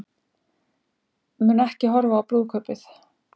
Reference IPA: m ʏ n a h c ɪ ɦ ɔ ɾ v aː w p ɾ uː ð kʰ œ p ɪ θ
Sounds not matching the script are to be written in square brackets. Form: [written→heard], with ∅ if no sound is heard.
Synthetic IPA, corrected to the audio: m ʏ n [a→ɛ] h c ɪ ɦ ɔ ɾ v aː w p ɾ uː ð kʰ œ p ɪ θ